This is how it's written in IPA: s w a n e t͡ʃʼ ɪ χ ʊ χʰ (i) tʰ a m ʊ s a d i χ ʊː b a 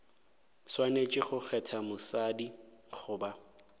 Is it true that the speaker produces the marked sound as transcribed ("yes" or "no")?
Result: no